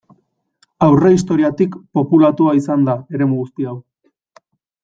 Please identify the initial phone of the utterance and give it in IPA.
a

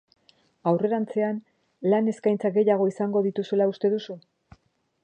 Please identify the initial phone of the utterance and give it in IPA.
a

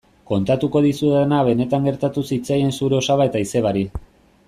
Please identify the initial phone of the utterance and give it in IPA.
k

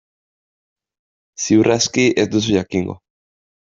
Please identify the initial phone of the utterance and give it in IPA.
s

